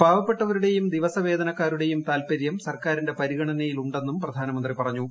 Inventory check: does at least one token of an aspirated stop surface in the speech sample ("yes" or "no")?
no